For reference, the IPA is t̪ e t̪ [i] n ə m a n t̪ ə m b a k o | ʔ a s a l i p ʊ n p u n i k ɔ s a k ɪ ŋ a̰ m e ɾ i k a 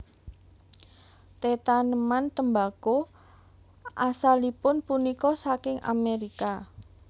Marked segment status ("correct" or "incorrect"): incorrect